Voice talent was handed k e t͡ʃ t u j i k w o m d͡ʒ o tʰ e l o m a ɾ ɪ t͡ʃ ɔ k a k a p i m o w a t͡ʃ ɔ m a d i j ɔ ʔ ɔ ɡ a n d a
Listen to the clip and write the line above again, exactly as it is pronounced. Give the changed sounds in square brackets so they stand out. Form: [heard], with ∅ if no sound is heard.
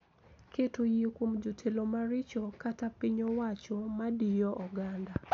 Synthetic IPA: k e [∅] t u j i k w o m d͡ʒ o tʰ e l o m a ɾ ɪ t͡ʃ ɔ k a [t] a p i [ɲ] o w a t͡ʃ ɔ m a d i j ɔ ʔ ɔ ɡ a n d a